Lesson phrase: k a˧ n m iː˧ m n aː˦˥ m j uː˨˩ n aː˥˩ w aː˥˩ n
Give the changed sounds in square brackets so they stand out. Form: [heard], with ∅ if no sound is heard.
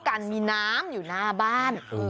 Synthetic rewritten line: k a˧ n m iː˧ [∅] n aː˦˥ m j uː˨˩ n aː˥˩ [b] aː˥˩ n